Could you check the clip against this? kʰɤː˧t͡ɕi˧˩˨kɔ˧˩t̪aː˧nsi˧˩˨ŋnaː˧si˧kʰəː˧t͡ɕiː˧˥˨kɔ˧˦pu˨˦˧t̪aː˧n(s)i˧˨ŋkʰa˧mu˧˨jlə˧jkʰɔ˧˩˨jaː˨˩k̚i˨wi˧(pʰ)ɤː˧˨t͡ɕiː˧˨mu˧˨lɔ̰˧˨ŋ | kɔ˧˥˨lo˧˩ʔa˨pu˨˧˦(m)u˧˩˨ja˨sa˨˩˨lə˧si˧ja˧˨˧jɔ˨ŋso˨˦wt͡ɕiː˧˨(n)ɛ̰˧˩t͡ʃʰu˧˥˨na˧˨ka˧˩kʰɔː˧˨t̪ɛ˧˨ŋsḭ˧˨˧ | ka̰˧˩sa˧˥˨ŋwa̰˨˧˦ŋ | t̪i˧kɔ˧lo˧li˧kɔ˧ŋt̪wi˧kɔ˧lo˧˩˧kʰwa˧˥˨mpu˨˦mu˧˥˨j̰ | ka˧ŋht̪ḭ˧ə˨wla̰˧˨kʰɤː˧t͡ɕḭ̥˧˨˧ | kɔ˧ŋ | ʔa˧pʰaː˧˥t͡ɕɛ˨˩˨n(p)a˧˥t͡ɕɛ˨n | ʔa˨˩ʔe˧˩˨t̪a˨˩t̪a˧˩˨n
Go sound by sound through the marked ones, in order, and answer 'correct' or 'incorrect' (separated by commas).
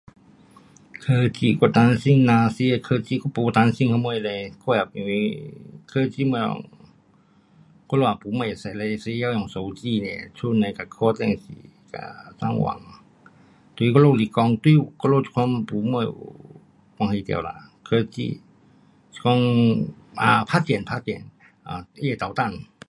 correct, incorrect, correct, correct, incorrect